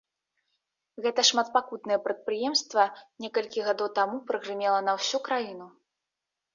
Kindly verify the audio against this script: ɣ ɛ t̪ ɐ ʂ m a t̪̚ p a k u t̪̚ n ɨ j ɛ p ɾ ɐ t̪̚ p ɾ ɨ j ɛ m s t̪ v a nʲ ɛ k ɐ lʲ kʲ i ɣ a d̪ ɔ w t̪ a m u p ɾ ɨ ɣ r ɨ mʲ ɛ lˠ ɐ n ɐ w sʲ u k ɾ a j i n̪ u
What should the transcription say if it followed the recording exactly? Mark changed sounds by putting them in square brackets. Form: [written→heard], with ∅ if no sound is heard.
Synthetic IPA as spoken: ɣ ɛ t̪ ɐ ʂ m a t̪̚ p a k u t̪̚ n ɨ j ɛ p ɾ ɐ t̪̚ p ɾ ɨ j ɛ m s t̪ v [a→ɐ] nʲ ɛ k ɐ lʲ kʲ i ɣ a d̪ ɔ w t̪ a m u p ɾ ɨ ɣ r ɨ mʲ ɛ lˠ ɐ n ɐ w sʲ u k ɾ a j i n̪ u